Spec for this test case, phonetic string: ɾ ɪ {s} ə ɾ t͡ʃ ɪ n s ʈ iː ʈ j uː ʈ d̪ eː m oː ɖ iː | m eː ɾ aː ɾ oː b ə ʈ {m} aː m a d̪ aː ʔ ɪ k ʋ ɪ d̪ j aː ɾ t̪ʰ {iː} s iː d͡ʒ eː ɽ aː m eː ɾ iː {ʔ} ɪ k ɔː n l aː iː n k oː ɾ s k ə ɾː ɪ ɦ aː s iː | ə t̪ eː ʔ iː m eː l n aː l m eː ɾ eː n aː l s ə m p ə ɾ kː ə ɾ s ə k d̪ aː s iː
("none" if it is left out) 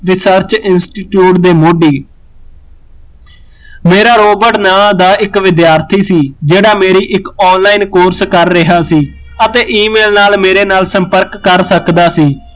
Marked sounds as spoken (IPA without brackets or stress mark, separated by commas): s, n, iː, ʔ